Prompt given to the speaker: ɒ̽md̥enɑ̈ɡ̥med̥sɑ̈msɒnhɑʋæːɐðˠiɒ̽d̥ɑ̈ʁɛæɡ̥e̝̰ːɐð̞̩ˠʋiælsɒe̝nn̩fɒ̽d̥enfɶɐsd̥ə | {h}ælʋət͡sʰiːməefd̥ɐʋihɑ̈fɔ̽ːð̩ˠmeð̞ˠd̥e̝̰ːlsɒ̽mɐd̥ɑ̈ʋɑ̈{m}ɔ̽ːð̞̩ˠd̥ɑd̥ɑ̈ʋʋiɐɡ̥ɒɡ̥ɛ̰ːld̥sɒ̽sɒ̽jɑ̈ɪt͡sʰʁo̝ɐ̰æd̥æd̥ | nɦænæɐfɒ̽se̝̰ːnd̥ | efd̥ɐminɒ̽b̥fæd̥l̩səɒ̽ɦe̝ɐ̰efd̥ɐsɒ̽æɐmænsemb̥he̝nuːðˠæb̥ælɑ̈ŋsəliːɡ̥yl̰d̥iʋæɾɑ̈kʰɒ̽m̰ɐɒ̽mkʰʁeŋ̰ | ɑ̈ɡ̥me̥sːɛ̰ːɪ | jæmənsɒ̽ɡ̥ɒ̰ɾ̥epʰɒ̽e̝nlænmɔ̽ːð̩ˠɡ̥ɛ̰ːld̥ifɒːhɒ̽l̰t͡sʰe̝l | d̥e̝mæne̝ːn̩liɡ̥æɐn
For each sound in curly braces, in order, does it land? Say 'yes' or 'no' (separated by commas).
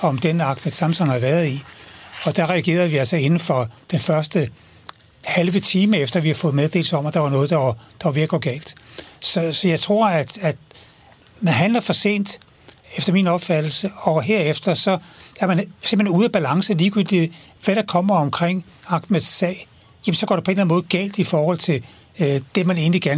yes, no